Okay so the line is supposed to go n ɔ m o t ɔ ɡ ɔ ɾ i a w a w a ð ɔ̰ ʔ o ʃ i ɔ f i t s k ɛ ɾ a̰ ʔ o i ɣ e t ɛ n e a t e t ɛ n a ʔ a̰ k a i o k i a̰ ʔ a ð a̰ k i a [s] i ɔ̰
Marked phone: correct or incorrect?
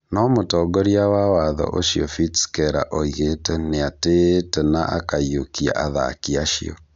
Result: incorrect